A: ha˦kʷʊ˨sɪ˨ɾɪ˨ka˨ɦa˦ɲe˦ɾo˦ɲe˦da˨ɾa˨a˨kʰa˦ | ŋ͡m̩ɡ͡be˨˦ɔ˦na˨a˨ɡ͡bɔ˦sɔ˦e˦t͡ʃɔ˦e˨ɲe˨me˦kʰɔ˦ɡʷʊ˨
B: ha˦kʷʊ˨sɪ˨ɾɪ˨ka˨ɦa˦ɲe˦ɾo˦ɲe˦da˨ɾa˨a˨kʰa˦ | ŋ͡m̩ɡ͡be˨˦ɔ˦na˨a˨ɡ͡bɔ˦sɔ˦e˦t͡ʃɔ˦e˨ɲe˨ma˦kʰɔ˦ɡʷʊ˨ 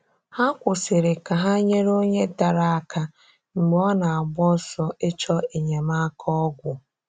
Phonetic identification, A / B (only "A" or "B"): B